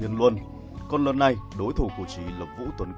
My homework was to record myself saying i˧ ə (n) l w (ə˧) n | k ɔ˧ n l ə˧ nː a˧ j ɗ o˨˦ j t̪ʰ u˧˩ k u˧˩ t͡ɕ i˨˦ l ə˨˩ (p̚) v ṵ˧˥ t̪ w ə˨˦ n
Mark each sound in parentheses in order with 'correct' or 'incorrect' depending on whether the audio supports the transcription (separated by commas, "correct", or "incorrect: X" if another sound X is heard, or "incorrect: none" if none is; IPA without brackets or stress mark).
correct, correct, correct